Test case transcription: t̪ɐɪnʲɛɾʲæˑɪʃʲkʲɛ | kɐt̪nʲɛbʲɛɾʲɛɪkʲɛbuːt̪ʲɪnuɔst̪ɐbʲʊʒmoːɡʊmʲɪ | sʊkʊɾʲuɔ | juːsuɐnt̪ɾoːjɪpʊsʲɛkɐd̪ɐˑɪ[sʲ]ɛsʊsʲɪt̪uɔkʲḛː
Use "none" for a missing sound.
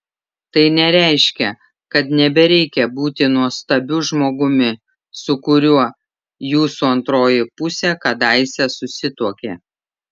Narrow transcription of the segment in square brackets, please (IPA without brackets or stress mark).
sʲ